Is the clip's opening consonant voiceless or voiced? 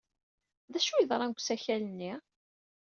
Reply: voiced